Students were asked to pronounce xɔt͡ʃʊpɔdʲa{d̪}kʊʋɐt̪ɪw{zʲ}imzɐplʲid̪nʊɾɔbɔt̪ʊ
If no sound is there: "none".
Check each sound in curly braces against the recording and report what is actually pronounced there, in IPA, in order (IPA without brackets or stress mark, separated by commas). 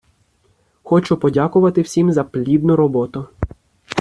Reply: none, sʲ